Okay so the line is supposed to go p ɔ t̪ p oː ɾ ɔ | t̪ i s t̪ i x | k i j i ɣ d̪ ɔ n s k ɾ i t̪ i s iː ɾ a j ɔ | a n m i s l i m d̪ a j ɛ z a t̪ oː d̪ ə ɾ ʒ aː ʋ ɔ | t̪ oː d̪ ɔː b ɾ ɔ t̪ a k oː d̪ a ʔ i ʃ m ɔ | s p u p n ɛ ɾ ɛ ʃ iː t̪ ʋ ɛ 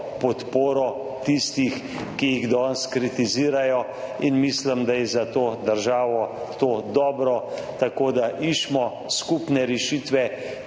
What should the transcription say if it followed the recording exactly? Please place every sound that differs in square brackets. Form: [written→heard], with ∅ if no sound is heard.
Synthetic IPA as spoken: p ɔ t̪ p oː ɾ ɔ | t̪ i s t̪ i x | k i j i ɣ d̪ ɔ n s k ɾ i t̪ i [s→z] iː ɾ a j ɔ | [a→i] n m i s l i m d̪ a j ɛ z a t̪ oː d̪ ə ɾ ʒ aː ʋ ɔ | t̪ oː d̪ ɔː b ɾ ɔ t̪ a k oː d̪ a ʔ i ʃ m ɔ | s [p→k] u p n ɛ ɾ ɛ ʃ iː t̪ ʋ ɛ